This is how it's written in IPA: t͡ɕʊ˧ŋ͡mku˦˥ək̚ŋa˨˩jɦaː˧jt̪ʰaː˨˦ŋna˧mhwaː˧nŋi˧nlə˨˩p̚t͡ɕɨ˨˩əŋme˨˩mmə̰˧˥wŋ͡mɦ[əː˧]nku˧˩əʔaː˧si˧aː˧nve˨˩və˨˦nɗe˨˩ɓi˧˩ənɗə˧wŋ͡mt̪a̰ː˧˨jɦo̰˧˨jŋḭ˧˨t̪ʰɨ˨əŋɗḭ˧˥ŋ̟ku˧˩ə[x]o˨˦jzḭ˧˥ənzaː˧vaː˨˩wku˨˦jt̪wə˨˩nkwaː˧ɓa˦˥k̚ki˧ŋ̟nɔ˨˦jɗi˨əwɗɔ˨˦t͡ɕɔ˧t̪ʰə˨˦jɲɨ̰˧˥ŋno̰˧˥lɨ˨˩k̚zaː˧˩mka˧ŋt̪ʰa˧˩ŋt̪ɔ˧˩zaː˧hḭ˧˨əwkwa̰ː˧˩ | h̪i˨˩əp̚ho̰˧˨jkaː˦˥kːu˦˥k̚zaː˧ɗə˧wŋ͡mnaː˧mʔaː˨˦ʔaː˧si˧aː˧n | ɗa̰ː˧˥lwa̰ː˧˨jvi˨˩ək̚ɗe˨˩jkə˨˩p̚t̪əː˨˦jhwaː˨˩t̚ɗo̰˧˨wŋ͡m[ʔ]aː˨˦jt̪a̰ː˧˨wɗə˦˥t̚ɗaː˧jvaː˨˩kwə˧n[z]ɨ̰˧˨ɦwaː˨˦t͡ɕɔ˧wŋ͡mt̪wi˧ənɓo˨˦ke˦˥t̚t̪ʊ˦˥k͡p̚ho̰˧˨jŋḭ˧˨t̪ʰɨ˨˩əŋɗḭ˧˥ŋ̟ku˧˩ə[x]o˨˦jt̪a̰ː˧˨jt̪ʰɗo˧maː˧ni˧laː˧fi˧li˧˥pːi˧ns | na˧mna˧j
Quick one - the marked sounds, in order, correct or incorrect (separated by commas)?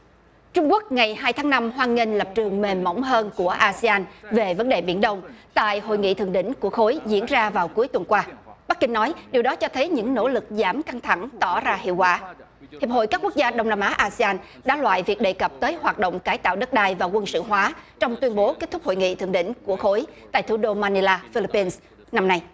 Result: correct, correct, incorrect, incorrect, correct